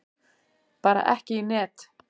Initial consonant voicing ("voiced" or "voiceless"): voiceless